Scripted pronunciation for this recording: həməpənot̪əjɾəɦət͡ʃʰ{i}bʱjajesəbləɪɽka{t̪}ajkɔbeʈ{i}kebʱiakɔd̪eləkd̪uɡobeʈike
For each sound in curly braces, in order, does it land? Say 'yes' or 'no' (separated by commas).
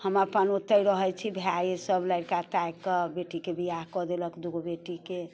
yes, yes, yes